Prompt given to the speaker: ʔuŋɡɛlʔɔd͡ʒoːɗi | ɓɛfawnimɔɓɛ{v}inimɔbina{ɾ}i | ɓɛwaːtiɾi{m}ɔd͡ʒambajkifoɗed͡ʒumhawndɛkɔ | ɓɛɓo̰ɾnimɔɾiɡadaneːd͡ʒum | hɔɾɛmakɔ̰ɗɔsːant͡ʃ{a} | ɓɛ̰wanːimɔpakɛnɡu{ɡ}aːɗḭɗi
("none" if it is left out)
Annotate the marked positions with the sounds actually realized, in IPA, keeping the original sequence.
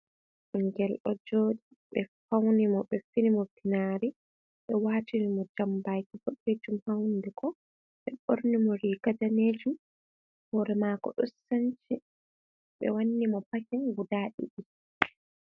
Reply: f, ɾ, m, i, d

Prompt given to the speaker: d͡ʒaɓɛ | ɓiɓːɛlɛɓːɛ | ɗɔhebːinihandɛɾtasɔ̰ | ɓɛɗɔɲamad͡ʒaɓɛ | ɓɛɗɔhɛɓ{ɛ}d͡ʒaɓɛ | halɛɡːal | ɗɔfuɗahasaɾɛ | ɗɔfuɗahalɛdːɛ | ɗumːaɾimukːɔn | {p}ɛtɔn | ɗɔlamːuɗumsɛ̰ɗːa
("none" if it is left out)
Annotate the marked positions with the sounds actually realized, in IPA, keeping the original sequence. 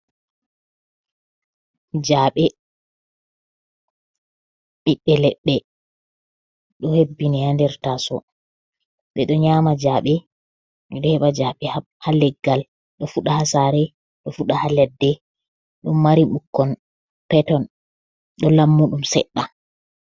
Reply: a, p

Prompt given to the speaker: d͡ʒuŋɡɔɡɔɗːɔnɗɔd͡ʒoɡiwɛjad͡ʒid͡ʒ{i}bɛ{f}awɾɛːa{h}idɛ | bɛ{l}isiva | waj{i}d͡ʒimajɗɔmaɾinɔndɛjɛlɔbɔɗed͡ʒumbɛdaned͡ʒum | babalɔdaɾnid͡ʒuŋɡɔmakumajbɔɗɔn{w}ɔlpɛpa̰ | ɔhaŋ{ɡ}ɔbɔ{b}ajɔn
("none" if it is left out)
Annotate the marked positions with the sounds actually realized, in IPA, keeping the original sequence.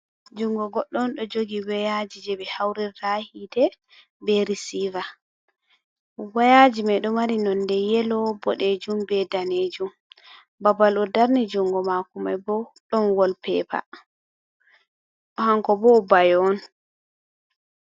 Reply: ɛ, h, h, ɾ, a, w, k, b

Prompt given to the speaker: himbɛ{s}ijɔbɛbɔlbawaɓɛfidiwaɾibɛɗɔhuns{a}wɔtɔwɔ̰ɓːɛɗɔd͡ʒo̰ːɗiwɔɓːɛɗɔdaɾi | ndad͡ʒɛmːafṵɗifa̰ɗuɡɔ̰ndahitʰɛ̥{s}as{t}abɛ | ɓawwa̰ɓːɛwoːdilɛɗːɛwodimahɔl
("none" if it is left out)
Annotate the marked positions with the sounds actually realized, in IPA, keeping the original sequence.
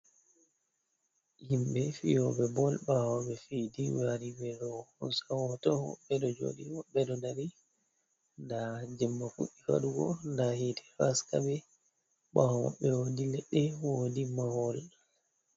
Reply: f, a, f, k

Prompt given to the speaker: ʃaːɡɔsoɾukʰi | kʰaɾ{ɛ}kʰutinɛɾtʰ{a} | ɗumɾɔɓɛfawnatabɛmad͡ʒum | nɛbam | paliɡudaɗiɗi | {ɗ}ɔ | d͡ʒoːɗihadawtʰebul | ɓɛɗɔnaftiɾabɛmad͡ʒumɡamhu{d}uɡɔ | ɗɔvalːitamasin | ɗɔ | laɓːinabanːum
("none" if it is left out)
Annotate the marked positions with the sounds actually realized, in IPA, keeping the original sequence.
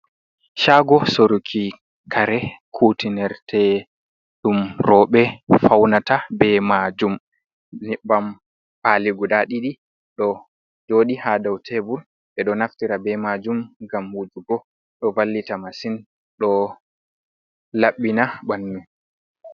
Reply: ɛ, ɛ, ɗ, d͡ʒ

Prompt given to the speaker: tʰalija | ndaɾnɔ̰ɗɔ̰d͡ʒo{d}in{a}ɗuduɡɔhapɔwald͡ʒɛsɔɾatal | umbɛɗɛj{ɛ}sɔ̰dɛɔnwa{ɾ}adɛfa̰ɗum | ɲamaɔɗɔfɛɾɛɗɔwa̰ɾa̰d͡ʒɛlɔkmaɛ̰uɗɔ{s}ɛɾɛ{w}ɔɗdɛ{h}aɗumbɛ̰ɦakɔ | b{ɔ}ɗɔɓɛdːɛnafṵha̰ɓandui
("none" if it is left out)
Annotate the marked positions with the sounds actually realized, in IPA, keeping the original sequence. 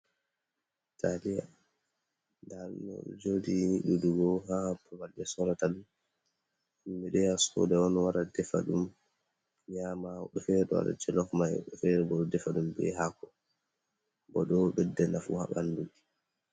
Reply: d, i, a, ɾ, f, b, f, ɔ

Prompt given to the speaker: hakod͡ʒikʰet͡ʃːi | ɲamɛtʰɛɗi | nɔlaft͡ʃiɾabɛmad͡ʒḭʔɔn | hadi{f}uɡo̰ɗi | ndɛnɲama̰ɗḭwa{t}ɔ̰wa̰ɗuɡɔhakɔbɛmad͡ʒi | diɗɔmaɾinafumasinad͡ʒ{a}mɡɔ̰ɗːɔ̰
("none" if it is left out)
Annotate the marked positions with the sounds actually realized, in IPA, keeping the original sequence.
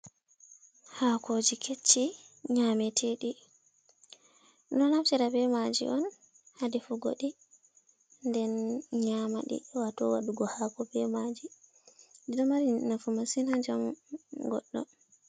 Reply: f, t, a

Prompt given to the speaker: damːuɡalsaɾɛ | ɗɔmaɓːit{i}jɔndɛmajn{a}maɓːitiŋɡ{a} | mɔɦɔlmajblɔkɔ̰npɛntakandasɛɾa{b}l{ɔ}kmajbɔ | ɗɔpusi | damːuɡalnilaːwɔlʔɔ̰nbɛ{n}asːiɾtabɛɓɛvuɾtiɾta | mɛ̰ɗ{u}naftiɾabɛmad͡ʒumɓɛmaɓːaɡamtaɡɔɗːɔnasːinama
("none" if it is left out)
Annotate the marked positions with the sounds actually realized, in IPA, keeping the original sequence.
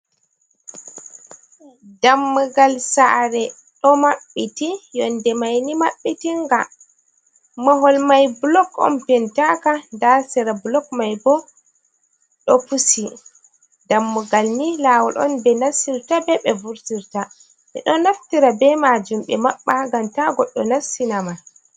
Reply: i, i, a, b, ɔ, n, ɔ

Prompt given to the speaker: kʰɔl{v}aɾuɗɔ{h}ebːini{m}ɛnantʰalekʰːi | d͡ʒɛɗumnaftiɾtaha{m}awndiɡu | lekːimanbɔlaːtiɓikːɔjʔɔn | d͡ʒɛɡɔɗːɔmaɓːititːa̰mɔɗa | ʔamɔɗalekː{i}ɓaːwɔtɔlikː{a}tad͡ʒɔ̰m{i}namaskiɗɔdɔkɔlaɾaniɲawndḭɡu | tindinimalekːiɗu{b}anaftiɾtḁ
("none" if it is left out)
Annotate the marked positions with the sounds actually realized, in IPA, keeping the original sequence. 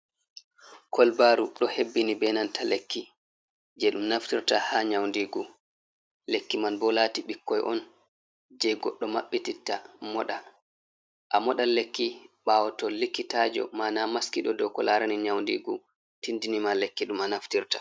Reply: b, h, b, ɲ, i, i, a, m

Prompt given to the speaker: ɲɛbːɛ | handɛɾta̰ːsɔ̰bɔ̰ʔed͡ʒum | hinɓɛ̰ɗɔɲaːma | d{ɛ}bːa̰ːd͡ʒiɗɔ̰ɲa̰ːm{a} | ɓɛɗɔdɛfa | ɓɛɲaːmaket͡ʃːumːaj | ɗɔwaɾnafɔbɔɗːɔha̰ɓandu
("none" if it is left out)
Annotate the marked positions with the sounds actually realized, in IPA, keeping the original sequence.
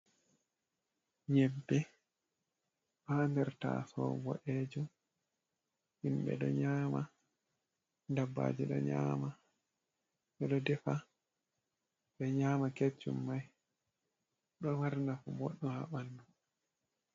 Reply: a, a

